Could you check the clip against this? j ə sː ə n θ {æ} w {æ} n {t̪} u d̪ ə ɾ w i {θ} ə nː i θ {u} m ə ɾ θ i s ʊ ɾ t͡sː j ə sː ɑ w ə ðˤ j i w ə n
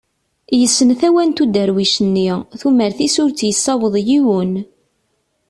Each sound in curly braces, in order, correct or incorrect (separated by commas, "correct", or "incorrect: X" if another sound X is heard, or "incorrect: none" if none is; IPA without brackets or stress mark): correct, correct, correct, incorrect: ʃ, correct